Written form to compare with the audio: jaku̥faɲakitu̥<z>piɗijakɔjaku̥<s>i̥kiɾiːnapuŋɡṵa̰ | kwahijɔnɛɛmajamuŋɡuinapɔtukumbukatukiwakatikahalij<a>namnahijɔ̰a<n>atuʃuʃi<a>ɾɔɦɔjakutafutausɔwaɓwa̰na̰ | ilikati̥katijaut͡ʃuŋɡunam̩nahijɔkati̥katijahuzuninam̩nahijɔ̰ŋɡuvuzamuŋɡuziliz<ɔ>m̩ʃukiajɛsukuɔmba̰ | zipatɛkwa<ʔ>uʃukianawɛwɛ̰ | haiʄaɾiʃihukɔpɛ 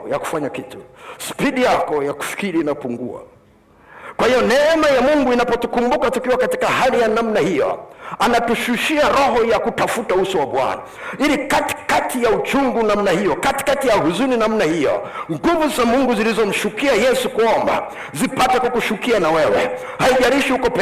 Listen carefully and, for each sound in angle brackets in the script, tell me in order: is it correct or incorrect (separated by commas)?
incorrect, incorrect, correct, correct, correct, correct, incorrect